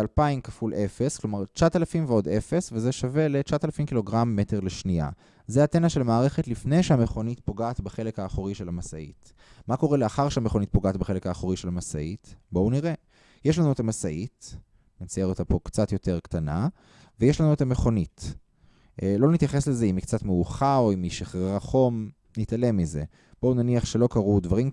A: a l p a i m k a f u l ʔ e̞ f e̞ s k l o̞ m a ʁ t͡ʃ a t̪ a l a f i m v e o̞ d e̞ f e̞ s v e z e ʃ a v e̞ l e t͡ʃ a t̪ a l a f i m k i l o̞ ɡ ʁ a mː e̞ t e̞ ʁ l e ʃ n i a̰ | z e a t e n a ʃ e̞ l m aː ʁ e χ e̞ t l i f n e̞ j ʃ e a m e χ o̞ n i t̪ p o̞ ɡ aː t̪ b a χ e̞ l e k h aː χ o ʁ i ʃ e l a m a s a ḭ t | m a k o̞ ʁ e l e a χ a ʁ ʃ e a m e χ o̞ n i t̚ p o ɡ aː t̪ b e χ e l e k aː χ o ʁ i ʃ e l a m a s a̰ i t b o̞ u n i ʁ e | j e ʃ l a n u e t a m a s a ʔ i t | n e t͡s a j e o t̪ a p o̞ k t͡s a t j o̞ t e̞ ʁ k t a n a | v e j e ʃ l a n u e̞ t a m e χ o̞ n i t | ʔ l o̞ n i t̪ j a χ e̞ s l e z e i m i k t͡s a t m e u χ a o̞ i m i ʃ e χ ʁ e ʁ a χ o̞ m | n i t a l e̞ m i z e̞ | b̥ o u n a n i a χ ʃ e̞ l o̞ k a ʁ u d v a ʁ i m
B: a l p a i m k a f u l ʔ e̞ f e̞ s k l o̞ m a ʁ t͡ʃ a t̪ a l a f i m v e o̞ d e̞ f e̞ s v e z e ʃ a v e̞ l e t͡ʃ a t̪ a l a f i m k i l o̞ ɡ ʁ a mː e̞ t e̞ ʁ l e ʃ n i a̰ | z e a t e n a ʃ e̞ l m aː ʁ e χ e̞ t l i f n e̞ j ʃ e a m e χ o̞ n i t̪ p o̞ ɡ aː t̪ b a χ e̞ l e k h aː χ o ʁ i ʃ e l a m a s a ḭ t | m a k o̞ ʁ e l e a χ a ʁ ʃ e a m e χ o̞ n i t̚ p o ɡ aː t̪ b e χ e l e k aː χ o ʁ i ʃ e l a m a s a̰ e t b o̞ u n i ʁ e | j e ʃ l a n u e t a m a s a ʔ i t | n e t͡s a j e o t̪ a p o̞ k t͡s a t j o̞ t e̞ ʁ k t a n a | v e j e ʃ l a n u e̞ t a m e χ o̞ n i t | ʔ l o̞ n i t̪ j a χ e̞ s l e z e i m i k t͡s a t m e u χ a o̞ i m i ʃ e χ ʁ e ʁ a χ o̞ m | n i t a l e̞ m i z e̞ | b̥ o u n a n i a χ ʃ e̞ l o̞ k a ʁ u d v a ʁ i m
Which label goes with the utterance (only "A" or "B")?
A